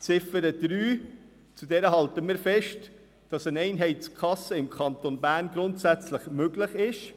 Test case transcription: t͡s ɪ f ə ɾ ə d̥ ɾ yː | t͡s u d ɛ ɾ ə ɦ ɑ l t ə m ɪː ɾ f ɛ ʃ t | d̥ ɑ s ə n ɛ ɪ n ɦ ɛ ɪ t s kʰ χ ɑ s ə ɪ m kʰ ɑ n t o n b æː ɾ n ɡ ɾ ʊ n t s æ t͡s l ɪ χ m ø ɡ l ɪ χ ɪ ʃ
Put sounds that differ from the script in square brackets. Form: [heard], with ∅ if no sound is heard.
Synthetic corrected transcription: t͡s ɪ f ə ɾ ə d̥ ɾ yː | t͡s u d ɛ ɾ ə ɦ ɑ l t ə m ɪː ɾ f ɛ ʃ t | d̥ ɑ s ə n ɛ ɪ n ɦ ɛ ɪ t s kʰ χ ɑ s ə ɪ m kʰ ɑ n t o n b æː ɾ n ɡ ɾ ʊ n t s æ t͡s l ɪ χ m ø ɡ l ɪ χ ɪ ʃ

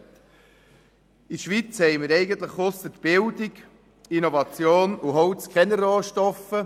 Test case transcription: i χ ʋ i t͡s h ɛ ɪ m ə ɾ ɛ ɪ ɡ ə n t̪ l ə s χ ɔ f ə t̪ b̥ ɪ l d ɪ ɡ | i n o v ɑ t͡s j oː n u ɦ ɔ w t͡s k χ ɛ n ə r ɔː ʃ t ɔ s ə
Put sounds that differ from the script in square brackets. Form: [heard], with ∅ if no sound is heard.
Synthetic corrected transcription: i [ʃ] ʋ i t͡s h ɛ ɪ m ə ɾ ɛ ɪ ɡ ə n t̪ l ə [χ] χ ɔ [s] ə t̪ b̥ ɪ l d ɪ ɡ | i n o v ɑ t͡s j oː n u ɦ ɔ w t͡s k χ ɛ n ə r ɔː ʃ t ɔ [f] ə

